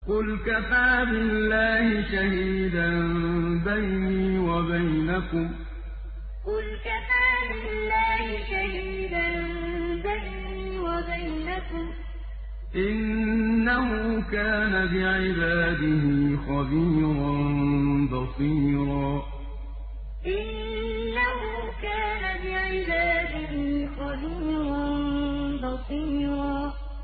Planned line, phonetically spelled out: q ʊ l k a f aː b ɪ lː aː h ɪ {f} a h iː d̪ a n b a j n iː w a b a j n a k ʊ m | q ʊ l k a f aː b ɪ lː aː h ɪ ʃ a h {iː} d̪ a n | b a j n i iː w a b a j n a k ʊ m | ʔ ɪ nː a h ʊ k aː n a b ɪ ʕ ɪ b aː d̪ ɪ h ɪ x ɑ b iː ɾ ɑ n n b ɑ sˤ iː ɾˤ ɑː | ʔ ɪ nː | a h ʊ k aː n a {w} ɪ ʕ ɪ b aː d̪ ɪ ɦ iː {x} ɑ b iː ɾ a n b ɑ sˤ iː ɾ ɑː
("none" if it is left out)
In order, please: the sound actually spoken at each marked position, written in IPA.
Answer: ʃ, iː, b, x

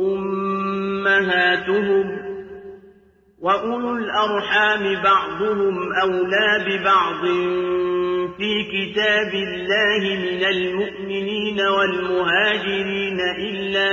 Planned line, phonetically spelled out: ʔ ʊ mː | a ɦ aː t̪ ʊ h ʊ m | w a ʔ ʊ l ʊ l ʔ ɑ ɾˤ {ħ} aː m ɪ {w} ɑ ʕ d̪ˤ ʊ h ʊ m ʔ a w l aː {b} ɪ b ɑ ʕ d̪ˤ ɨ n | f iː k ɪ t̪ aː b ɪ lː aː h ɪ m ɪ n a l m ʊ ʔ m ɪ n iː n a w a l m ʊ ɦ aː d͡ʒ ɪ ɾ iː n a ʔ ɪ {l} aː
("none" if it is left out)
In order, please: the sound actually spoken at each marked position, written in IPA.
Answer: ħ, b, b, lː

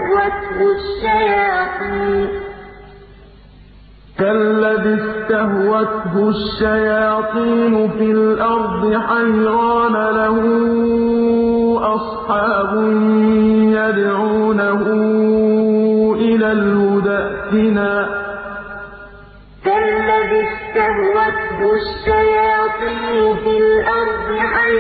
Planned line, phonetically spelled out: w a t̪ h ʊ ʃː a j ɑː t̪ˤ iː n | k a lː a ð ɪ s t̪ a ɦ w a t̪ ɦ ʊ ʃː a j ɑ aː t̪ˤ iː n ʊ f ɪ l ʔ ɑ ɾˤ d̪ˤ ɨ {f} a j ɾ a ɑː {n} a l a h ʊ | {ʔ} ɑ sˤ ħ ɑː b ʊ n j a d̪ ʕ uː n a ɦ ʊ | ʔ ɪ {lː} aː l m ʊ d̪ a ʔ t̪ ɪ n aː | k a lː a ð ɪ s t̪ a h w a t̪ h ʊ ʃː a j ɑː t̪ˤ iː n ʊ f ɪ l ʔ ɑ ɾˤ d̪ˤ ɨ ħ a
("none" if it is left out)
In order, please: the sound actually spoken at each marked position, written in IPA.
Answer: ħ, n, ʔ, l

